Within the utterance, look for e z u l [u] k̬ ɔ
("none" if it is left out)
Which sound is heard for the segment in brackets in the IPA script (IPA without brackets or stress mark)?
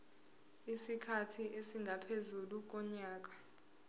u